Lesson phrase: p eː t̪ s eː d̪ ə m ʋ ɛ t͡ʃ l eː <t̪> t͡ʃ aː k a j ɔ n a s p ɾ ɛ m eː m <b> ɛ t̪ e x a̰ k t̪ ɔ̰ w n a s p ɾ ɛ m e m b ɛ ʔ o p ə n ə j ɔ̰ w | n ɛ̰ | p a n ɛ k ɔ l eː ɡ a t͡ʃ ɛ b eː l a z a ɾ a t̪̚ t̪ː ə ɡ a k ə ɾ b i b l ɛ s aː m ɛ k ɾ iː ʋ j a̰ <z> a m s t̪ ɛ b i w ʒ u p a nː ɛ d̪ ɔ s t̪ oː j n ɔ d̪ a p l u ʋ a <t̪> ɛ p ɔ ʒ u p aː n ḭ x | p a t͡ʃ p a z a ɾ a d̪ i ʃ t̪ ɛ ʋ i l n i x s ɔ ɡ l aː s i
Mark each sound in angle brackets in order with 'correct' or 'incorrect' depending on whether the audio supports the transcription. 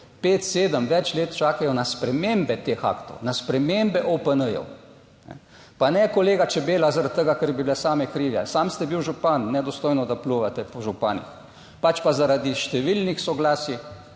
correct, correct, incorrect: s, correct

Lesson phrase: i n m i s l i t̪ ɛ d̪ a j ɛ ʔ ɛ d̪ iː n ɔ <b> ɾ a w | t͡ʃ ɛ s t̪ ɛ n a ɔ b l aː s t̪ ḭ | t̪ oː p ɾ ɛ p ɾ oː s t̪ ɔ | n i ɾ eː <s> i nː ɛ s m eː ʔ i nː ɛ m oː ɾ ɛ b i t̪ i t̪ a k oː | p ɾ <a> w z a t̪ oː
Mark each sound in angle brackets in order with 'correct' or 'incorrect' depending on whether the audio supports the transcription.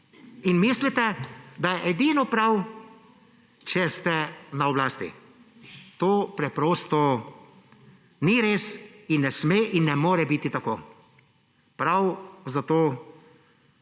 incorrect: p, correct, correct

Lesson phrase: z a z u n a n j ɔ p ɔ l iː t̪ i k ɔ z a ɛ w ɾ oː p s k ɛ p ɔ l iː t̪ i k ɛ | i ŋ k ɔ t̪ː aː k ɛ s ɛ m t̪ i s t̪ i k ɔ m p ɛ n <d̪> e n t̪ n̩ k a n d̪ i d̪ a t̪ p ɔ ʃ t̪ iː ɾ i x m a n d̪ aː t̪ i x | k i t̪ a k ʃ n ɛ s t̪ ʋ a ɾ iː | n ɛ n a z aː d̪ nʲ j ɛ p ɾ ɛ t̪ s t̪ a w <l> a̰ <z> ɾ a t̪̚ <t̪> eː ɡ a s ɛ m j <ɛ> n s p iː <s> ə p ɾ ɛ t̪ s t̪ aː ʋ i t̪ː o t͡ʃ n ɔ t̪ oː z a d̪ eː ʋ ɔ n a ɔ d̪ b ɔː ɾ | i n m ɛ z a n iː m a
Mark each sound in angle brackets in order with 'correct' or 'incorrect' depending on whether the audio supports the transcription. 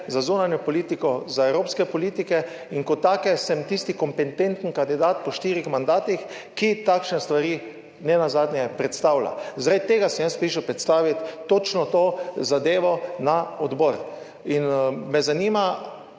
incorrect: t̪, correct, correct, correct, incorrect: a, incorrect: ʃ

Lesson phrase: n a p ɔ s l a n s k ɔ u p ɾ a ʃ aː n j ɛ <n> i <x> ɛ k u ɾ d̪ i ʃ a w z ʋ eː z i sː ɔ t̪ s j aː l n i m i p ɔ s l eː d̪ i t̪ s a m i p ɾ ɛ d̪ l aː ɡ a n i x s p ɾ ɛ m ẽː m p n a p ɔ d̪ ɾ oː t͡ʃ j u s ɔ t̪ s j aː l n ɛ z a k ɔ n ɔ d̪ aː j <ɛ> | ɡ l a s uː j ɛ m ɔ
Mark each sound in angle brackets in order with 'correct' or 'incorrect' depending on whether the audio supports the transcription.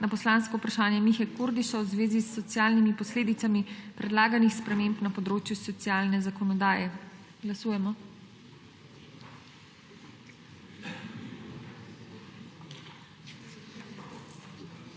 incorrect: m, correct, correct

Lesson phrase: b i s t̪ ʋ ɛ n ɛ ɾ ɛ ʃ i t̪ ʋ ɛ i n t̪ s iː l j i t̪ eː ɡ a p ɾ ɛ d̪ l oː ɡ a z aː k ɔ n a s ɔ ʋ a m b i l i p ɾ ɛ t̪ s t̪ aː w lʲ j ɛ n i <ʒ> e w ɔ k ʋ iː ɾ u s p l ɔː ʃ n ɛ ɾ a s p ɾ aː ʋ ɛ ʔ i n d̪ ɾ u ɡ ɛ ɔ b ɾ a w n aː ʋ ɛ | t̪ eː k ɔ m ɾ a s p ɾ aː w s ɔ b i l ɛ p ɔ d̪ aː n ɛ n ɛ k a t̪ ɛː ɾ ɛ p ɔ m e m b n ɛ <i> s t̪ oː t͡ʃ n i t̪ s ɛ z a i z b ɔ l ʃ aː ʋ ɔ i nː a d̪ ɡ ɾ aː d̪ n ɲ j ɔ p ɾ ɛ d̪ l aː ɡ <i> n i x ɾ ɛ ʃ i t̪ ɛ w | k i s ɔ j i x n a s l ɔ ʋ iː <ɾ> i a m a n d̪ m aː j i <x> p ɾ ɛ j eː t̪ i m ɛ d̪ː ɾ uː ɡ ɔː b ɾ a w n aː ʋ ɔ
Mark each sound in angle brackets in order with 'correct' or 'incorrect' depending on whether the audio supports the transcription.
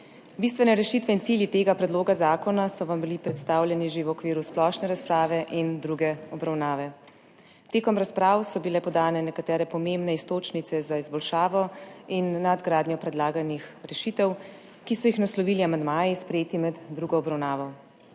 correct, correct, incorrect: a, incorrect: l, incorrect: s

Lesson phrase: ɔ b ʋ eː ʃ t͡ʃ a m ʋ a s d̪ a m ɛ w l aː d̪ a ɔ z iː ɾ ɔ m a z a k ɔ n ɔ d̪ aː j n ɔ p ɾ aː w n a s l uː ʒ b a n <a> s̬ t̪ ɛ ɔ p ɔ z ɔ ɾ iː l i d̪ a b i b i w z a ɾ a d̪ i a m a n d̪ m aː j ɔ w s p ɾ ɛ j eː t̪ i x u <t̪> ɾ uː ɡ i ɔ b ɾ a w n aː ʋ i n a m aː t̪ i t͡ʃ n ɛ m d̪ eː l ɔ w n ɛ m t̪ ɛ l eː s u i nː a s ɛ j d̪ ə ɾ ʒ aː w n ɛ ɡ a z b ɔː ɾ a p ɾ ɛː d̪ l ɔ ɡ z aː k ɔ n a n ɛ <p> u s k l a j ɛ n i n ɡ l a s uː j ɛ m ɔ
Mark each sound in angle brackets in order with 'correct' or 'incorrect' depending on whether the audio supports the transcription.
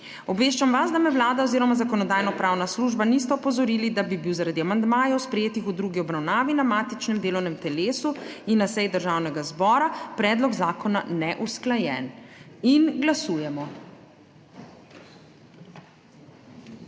incorrect: i, incorrect: d̪, incorrect: ʔ

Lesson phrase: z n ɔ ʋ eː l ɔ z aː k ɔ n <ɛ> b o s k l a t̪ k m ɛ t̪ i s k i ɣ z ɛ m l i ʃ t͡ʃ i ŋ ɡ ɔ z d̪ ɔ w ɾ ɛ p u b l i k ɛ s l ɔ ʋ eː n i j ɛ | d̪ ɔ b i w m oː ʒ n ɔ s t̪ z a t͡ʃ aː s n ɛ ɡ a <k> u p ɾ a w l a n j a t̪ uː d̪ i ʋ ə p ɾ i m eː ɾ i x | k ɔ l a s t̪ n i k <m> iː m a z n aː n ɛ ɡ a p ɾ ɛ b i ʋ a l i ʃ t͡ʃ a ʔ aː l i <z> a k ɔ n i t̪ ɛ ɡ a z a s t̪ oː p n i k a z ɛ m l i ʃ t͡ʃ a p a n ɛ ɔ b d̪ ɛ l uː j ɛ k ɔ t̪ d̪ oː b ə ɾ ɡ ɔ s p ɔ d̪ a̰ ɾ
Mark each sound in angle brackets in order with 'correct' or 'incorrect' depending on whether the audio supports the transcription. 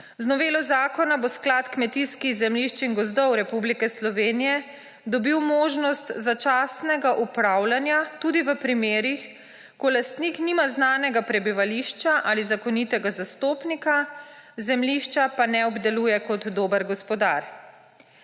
incorrect: a, incorrect: ʔ, incorrect: n, correct

